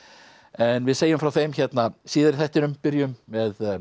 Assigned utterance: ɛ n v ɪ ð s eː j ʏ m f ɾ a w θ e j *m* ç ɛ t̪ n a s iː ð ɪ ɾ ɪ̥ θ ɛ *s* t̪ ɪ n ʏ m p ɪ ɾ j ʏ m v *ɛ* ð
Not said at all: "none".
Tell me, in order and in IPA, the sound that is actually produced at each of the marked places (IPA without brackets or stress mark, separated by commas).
m, h, ɛ